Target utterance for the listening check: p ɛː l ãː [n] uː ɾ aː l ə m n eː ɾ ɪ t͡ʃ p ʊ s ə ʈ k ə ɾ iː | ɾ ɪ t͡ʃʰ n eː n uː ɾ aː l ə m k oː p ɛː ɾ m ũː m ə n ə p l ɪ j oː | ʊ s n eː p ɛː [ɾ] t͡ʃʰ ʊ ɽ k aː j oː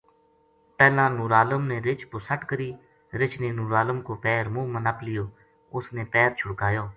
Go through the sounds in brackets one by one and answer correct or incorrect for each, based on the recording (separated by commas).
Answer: correct, correct